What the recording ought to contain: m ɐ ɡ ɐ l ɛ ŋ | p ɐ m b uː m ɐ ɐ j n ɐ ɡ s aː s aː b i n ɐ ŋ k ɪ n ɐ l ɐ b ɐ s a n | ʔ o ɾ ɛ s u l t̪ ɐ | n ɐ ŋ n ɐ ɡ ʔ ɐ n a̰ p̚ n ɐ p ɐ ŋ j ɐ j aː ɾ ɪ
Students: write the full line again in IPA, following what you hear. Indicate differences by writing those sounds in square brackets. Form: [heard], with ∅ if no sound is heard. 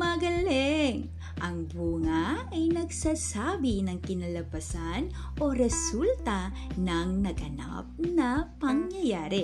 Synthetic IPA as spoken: m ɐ ɡ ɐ l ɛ ŋ | [ʔ] ɐ [ŋ] b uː [ŋ] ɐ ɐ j n ɐ ɡ s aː s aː b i n ɐ ŋ k ɪ n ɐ l ɐ b ɐ s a n | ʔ o ɾ ɛ s u l t̪ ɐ | n ɐ ŋ n ɐ ɡ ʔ ɐ n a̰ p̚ n ɐ p ɐ ŋ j ɐ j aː ɾ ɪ